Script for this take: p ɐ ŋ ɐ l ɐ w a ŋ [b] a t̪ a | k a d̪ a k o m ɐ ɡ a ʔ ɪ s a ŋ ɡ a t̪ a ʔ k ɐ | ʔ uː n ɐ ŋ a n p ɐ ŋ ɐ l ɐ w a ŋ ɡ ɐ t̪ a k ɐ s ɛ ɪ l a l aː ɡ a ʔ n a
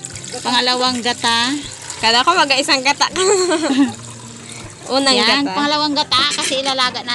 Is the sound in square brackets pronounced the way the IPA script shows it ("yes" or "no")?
no